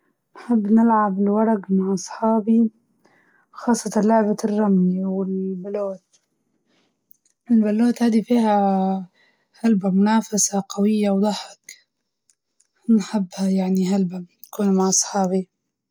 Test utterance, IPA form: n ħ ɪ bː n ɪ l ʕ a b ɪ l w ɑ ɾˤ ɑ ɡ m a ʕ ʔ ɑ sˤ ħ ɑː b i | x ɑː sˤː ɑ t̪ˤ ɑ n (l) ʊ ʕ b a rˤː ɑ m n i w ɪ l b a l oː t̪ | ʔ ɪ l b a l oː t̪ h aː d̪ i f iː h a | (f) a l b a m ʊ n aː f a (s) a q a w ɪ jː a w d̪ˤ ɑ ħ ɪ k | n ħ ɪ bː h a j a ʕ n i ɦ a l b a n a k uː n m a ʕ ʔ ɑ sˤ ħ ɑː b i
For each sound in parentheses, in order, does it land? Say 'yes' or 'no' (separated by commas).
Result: yes, no, yes